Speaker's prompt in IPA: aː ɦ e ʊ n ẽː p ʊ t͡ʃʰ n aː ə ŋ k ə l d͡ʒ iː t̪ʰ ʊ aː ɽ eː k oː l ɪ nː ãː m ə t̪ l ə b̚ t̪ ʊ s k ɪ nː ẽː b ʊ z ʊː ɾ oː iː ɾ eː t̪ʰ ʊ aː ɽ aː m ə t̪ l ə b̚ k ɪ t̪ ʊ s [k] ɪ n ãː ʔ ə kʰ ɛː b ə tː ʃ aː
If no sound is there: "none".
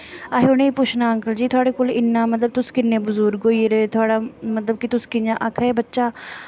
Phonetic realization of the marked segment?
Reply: k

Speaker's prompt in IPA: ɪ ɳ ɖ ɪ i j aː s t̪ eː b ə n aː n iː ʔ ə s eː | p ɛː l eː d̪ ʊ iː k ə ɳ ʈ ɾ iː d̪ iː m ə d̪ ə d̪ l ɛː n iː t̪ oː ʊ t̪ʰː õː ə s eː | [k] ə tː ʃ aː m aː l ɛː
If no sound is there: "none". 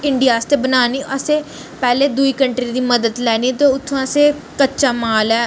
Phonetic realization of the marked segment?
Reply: k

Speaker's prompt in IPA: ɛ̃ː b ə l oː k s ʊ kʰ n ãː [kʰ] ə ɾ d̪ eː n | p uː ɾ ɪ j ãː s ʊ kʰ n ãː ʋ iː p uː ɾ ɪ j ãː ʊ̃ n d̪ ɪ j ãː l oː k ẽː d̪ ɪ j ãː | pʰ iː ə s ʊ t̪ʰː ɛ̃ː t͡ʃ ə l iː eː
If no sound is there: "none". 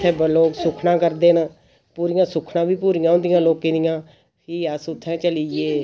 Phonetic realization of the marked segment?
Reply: k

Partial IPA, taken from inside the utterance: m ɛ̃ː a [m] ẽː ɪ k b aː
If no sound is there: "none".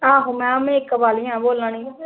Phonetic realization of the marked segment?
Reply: m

